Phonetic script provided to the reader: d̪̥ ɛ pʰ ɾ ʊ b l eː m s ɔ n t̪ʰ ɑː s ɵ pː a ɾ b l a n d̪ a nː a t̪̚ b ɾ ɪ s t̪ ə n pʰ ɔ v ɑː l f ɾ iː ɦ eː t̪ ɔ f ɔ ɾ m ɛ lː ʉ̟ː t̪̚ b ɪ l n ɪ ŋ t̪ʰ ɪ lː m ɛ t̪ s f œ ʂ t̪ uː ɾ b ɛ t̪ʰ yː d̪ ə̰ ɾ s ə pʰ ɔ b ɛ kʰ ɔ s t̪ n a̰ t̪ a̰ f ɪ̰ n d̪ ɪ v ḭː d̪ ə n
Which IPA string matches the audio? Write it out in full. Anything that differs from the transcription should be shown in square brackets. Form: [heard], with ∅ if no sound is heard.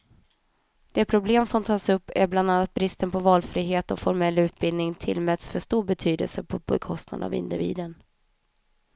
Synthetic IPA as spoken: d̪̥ ɛ pʰ ɾ ʊ b l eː m s ɔ [m] t̪ʰ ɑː s ɵ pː [æ] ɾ b l a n d̪ a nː a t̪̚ b ɾ ɪ s t̪ ə n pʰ ɔ v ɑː l f ɾ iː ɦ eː t̪ ɔ f ɔ ɾ m ɛ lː ʉ̟ː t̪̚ b ɪ l n ɪ ŋ t̪ʰ ɪ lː m ɛ t̪ s f œ ʂ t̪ uː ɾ b ɛ t̪ʰ yː d̪ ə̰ [l] s ə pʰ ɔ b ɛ kʰ ɔ s t̪ n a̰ [d̪] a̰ [v] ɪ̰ n d̪ ɪ v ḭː d̪ ə n

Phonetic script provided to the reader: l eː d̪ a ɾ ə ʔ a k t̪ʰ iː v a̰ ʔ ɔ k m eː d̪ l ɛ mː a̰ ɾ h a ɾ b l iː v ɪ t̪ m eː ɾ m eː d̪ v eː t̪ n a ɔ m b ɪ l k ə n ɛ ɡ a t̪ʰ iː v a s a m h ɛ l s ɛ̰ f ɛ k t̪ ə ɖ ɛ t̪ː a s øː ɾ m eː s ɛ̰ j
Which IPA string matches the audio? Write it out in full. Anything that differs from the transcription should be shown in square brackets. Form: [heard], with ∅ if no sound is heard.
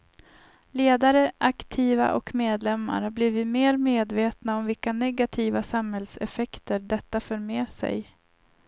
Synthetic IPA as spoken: l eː d̪ a ɾ ə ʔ a k t̪ʰ iː v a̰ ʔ ɔ k m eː d̪ l ɛ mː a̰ ɾ h a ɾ b l iː v ɪ t̪ m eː ɾ m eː d̪ v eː t̪ n a ɔ m [v] ɪ l k [a] n ɛ ɡ a t̪ʰ iː v a s a m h ɛ l s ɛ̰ f ɛ k t̪ ə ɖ ɛ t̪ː a [f] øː ɾ m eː s ɛ̰ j

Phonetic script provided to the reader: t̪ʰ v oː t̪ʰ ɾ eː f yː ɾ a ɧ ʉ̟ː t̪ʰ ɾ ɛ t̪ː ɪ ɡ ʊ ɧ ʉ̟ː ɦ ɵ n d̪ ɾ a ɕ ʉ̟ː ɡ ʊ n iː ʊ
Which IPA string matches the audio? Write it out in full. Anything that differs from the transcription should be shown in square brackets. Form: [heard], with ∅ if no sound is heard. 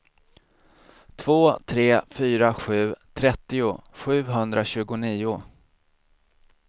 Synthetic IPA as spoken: t̪ʰ v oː t̪ʰ ɾ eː f yː ɾ a ɧ ʉ̟ː t̪ʰ ɾ ɛ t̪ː ɪ [∅] ʊ ɧ ʉ̟ː ɦ ɵ n d̪ ɾ a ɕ ʉ̟ː ɡ ʊ n iː ʊ

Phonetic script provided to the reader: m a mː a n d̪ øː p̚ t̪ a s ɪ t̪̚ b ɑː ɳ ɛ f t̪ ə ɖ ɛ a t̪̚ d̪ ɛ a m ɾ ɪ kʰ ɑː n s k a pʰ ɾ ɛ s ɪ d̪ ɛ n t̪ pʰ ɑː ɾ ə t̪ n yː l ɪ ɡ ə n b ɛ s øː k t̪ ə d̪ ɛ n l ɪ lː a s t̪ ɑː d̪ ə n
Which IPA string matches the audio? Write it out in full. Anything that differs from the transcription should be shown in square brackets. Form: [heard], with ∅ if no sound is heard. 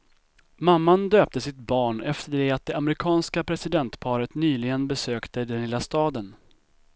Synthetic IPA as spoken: m a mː a n d̪ øː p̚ t̪ [ə] s ɪ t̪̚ b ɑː ɳ ɛ f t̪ ə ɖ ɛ a t̪̚ d̪ ɛ a m ɾ ɪ kʰ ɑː n s k a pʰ ɾ ɛ s ɪ d̪ ɛ n t̪ pʰ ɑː ɾ ə t̪ n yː l ɪ ɡ ə n b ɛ s øː k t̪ ə d̪ ɛ n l ɪ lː a s t̪ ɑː d̪ ə n

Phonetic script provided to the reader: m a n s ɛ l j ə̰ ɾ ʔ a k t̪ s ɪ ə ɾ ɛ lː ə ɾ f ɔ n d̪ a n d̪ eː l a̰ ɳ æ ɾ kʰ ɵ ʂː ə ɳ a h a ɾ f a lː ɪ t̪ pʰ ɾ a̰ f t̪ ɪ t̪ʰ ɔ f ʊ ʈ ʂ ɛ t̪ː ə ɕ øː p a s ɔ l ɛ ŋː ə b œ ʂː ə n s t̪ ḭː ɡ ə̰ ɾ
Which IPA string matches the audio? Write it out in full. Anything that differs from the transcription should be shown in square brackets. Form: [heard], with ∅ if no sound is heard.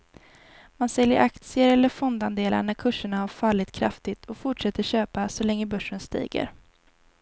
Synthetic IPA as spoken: m a n s ɛ l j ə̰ ɾ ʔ a k t̪ s ɪ ə ɾ ɛ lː ə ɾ f ɔ n d̪ a n d̪ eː l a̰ ɳ æ ɾ kʰ ɵ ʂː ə ɳ a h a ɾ f a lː ɪ t̪ [kʰ] ɾ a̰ f t̪ ɪ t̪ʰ ɔ f ʊ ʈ ʂ ɛ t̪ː ə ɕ øː p a s ɔ l ɛ ŋː ə b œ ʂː ə n s t̪ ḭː ɡ ə̰ ɾ

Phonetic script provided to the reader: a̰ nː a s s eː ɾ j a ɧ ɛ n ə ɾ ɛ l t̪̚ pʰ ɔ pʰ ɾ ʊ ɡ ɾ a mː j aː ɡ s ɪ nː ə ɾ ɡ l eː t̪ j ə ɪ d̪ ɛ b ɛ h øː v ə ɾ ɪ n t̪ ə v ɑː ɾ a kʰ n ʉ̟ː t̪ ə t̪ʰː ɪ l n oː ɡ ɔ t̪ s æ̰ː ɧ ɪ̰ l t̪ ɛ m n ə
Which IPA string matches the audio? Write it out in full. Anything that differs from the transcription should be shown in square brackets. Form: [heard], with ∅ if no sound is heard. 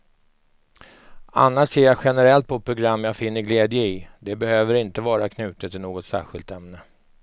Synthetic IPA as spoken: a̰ nː a [ʂ] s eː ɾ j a ɧ ɛ n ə ɾ ɛ l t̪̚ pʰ ɔ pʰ ɾ ʊ ɡ ɾ a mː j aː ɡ [f] ɪ nː ə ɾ ɡ l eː [d̪] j ə ɪ d̪ ɛ b ɛ h øː v ə ɾ ɪ n t̪ ə v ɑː ɾ a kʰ n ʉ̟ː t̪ ə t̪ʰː ɪ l n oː ɡ ɔ t̪ s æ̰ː ɧ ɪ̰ l t̪ ɛ m n ə

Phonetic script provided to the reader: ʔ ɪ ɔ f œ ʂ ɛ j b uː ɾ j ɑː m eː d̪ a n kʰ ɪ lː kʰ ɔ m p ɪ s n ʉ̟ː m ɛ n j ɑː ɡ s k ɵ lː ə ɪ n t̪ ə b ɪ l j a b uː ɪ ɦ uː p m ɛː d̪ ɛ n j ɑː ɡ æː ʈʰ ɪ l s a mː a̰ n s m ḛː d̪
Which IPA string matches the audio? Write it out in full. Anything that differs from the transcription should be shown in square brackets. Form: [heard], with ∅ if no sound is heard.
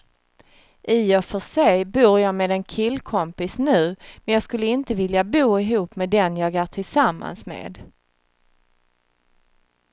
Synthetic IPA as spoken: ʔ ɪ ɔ f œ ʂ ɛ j b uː ɾ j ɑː m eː d̪ [ɛ] n kʰ ɪ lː kʰ ɔ m p ɪ s n ʉ̟ː m ɛ n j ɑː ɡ s k ɵ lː ə ɪ n t̪ ə [v] ɪ l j a b uː ɪ ɦ uː p m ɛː d̪ ɛ n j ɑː ɡ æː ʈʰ ɪ l s a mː a̰ n s m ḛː d̪

